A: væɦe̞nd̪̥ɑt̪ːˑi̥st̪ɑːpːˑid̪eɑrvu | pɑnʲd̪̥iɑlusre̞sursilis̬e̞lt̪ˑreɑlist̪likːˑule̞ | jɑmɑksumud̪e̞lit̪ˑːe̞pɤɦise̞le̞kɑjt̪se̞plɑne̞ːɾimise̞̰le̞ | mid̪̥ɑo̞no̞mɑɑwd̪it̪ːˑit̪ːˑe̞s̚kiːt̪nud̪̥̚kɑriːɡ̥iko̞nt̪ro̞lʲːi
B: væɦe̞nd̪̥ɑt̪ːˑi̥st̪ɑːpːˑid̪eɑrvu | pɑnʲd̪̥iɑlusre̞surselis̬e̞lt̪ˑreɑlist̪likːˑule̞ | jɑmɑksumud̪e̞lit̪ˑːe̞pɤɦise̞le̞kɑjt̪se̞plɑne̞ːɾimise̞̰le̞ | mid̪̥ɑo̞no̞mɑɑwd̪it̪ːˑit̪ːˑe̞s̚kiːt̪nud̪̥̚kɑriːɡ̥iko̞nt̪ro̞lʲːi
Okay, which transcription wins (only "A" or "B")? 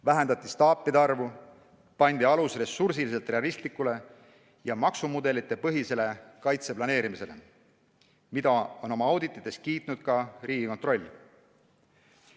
A